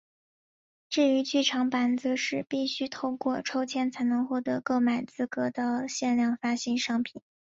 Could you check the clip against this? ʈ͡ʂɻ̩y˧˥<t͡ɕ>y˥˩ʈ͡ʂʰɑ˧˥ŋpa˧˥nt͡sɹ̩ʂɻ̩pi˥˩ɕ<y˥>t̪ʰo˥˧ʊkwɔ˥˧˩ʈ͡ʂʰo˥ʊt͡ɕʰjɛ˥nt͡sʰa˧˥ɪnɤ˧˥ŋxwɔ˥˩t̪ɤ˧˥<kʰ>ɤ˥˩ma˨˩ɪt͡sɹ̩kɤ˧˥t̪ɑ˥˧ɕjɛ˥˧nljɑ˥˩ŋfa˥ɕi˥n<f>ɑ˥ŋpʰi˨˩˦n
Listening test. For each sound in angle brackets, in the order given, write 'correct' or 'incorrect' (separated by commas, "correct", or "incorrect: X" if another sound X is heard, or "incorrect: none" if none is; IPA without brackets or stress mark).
correct, correct, incorrect: k, incorrect: ʂ